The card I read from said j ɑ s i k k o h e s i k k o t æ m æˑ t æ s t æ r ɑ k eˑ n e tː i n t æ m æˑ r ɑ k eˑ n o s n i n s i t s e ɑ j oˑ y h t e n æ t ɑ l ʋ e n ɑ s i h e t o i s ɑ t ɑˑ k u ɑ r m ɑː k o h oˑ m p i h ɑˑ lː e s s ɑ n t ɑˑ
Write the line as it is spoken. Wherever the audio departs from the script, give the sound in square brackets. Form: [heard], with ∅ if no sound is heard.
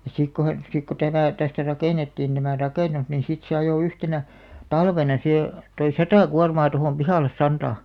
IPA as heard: j ɑ s i k k o h e s i k k o t æ m æˑ t æ s t æ r ɑ k eˑ n e tː [iː] n t æ m æˑ r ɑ k eˑ n [u] s n i n s i t s e ɑ j oˑ y h t e n æ t ɑ l ʋ e n ɑ s i h e t o i s ɑ t ɑˑ k u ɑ r m ɑː [t] o h oˑ m p i h ɑˑ lː e s s ɑ n t ɑˑ